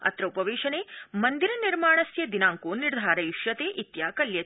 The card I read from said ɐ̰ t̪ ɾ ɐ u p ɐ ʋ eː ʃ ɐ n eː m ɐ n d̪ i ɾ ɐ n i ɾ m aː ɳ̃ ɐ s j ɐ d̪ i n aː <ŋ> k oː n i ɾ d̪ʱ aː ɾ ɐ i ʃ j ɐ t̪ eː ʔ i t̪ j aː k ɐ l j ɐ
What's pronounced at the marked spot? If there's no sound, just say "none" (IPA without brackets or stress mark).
ŋ